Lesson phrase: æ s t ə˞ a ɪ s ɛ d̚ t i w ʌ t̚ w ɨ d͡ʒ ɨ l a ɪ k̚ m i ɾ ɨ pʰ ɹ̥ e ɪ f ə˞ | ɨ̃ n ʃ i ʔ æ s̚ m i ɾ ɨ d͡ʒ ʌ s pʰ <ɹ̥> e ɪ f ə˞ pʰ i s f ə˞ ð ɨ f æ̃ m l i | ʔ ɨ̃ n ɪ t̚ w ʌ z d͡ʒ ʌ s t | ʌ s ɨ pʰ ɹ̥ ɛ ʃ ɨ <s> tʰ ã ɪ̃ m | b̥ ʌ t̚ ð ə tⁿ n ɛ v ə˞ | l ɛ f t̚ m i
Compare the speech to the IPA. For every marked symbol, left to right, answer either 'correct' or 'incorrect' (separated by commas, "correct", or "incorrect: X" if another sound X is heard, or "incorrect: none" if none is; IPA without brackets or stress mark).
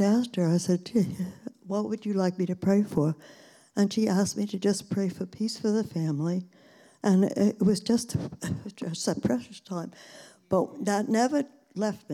correct, correct